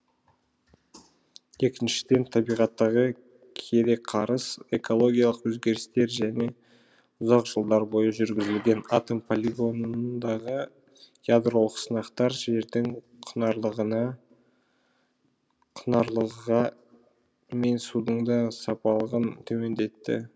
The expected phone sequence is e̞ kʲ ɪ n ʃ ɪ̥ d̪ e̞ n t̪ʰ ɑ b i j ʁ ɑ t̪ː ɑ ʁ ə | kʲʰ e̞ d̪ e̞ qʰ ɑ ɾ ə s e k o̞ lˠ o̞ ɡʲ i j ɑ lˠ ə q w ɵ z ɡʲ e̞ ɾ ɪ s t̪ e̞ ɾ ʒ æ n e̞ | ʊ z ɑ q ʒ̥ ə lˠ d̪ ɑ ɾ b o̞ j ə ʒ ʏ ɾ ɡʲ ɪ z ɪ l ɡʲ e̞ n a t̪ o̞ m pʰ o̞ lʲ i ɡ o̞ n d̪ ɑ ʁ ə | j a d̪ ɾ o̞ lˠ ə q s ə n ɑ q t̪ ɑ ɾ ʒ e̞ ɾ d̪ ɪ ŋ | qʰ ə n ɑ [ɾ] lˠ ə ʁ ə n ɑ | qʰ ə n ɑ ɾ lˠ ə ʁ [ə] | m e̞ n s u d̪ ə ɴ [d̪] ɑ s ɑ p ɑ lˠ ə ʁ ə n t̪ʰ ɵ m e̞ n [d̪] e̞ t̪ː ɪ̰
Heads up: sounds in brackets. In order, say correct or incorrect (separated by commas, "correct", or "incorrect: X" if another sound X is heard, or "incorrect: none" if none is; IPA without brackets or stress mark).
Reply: correct, incorrect: ɑ, correct, correct